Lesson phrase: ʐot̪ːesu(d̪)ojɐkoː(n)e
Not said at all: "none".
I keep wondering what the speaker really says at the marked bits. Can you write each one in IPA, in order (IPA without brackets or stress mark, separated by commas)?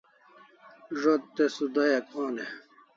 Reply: d̪, n